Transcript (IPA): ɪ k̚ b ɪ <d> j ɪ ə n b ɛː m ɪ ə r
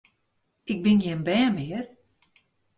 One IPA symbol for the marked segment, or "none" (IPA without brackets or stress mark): n